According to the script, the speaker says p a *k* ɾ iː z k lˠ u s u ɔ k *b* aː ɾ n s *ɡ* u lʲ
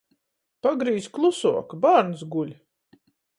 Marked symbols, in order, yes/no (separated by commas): no, yes, yes